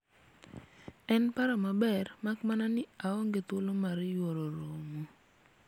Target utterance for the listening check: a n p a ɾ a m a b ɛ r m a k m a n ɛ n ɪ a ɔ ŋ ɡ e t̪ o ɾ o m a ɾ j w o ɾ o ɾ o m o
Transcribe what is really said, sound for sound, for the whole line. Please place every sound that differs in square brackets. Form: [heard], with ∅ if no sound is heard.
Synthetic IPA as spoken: [ɛ] n p a ɾ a m a b ɛ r m a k m a n [a] n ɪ a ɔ ŋ ɡ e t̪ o [l] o m a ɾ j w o ɾ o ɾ o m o